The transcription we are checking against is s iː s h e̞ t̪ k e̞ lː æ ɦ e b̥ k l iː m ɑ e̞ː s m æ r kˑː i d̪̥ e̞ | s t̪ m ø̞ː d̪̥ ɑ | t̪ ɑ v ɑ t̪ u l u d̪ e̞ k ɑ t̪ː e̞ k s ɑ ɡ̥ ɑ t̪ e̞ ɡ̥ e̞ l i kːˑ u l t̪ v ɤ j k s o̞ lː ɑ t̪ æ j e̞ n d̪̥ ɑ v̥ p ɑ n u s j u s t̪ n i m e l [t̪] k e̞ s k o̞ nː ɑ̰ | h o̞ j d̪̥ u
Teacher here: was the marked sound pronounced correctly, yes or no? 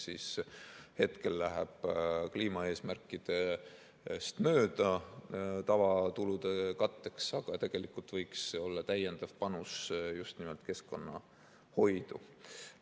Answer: yes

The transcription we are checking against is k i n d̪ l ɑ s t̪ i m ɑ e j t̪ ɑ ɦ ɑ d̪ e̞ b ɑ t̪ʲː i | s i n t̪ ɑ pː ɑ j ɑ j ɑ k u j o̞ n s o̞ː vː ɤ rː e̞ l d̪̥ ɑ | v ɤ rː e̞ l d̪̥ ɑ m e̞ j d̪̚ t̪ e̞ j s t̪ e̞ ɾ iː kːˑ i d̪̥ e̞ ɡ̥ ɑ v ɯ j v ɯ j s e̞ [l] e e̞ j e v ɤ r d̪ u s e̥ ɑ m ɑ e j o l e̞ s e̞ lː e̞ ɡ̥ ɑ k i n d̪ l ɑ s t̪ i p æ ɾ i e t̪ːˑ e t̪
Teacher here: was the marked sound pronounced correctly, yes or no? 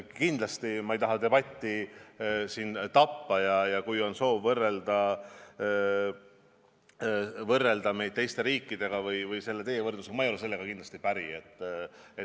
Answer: no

